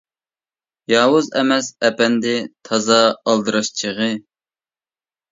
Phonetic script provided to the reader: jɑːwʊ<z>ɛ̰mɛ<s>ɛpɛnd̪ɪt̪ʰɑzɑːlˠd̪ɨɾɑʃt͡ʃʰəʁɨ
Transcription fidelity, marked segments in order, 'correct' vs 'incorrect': correct, correct

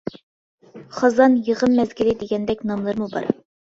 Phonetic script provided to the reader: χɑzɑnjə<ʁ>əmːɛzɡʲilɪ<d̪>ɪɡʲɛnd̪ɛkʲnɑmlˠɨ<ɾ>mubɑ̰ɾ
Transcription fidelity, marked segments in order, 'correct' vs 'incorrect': correct, correct, correct

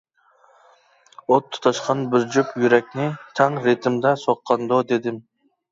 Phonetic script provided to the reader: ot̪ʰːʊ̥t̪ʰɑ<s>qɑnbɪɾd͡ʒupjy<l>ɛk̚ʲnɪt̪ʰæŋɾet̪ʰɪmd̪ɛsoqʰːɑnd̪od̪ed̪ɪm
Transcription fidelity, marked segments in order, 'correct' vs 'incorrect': incorrect: ʃ, incorrect: ɾ

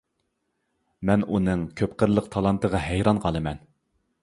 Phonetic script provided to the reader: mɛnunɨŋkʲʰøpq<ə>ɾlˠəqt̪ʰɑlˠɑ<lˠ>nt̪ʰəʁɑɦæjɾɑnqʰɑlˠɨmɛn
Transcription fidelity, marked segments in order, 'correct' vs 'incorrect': correct, incorrect: none

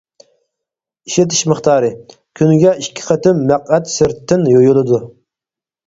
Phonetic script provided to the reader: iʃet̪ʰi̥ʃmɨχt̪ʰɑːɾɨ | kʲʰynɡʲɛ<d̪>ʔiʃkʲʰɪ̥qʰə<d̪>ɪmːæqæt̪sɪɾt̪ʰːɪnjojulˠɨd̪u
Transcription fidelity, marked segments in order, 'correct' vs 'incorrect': incorrect: none, incorrect: t̪

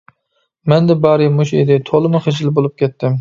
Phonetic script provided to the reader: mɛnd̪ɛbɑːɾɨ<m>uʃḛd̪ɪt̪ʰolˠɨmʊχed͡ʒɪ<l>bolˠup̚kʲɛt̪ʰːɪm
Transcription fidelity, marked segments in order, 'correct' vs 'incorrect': correct, correct

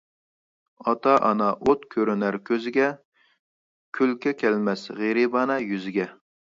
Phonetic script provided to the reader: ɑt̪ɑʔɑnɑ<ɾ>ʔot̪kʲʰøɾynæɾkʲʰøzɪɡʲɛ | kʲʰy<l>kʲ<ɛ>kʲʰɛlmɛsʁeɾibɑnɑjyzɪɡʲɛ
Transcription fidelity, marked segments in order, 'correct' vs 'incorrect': incorrect: none, correct, correct

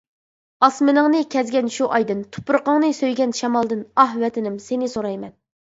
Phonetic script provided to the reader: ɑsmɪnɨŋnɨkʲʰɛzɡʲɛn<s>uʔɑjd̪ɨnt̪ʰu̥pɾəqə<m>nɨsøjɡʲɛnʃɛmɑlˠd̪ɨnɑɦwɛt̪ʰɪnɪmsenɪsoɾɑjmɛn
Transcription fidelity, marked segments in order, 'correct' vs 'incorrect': incorrect: ʃ, incorrect: ŋ

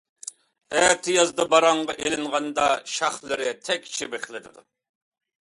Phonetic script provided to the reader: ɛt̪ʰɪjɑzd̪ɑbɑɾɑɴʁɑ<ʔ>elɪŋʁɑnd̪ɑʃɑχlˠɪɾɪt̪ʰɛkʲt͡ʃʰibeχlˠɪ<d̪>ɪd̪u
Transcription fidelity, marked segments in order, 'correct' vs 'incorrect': correct, correct

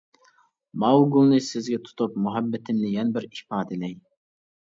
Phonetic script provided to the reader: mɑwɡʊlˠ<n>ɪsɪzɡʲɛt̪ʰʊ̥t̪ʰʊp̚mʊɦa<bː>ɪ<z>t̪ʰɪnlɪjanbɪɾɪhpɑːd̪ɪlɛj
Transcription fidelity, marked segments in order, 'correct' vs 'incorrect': correct, correct, incorrect: none

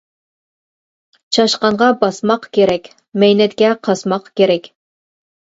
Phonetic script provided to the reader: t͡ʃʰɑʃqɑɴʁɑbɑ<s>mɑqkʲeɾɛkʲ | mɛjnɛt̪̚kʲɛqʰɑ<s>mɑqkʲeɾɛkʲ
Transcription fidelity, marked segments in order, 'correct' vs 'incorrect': correct, correct

